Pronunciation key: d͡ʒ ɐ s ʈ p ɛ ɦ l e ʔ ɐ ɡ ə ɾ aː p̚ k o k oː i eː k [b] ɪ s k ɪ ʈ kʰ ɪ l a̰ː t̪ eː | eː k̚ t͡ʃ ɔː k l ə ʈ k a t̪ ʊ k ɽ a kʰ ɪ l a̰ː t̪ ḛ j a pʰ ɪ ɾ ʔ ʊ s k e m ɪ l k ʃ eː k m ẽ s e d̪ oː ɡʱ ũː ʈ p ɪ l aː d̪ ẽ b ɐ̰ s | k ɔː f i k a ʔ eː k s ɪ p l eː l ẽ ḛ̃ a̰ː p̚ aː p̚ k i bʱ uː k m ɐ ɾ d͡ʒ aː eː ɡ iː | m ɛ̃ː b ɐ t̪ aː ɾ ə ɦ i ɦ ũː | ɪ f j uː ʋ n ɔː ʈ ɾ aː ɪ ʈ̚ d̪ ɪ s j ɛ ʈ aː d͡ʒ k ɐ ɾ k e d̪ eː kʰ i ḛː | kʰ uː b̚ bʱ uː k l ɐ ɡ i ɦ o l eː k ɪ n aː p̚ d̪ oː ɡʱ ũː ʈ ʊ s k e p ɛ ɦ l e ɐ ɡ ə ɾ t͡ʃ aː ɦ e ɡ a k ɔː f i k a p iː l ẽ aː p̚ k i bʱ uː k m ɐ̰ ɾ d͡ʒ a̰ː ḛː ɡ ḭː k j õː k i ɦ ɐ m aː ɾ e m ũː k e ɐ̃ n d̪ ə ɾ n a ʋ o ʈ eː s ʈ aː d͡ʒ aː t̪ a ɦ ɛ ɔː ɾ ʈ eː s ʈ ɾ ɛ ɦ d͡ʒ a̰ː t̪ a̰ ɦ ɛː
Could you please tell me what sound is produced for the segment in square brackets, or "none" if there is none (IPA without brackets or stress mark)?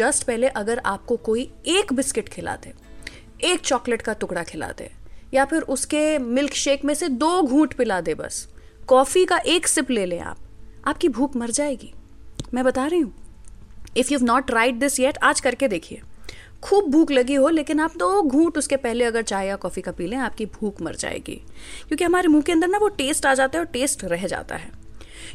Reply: b